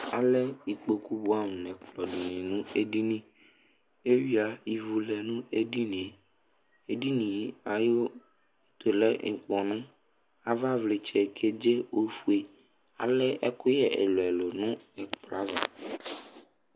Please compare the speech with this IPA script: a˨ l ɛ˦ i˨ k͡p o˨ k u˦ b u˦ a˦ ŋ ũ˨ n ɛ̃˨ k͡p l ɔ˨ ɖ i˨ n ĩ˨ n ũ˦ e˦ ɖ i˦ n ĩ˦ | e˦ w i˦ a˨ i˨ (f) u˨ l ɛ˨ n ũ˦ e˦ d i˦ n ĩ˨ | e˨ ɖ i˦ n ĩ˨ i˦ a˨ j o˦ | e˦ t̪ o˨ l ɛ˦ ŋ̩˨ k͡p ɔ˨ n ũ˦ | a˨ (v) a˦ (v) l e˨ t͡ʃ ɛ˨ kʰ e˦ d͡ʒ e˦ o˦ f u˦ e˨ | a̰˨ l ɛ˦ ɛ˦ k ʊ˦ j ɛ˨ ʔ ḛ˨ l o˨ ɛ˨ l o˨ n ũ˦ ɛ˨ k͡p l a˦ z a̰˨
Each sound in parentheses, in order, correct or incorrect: incorrect: v, correct, correct

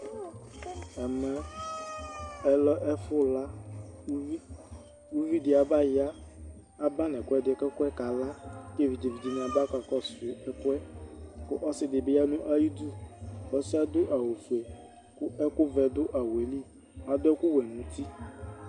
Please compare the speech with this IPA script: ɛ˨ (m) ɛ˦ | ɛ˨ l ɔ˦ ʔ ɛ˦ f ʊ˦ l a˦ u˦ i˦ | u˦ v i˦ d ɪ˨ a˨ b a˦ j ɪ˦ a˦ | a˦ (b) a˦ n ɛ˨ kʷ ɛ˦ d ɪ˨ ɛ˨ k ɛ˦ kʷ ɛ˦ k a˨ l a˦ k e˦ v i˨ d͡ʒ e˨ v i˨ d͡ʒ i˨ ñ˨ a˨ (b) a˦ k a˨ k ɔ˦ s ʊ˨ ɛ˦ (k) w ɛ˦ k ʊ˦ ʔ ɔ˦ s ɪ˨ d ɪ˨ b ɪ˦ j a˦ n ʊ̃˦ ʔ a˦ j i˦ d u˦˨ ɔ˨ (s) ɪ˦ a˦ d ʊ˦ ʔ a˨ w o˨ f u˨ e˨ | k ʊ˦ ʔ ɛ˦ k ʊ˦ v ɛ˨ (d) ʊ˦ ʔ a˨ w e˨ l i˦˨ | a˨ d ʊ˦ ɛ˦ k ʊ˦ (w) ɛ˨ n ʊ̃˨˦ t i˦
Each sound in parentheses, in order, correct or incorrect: correct, correct, correct, correct, correct, correct, correct

